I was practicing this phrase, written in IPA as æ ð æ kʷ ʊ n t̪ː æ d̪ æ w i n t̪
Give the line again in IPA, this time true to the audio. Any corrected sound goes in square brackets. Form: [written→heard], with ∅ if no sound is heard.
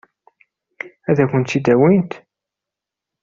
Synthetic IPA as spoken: æ ð æ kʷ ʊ n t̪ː [æ→i] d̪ æ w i n t̪